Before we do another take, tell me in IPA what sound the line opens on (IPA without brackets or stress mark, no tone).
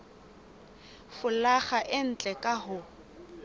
f